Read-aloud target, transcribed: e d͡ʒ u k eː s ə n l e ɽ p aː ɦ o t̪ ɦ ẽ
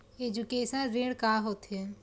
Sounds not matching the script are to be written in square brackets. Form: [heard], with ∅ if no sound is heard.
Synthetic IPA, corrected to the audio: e d͡ʒ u k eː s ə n [ɾ] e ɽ [k] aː ɦ o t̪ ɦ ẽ